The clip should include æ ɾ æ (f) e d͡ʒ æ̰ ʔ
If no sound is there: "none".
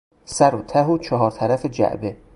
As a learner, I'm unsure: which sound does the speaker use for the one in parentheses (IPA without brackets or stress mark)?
f